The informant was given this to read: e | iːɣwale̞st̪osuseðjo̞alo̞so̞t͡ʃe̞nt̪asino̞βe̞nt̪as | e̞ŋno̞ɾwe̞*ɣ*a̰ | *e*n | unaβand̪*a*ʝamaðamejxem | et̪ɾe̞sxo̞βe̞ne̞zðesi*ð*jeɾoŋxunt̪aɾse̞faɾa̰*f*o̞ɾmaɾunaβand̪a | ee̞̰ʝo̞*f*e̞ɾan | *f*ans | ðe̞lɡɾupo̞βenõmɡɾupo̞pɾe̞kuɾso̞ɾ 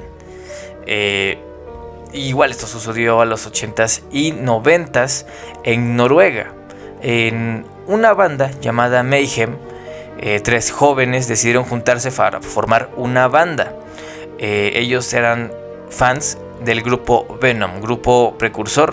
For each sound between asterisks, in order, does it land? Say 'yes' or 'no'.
yes, yes, yes, yes, yes, no, yes

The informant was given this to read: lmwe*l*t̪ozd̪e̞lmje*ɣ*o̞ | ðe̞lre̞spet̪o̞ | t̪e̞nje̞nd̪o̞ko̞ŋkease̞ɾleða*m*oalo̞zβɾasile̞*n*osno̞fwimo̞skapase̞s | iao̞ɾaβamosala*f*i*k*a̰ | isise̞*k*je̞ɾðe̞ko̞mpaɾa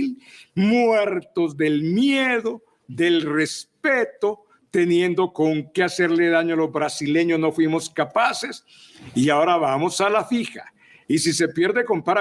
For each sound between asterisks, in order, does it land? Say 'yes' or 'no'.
no, no, no, no, yes, no, no

